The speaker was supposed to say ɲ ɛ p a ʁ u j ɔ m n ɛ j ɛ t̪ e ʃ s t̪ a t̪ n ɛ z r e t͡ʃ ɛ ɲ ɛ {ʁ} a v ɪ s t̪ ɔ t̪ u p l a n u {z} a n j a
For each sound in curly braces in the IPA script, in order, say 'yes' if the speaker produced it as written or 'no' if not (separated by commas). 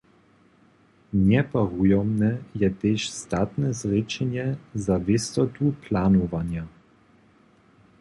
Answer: no, no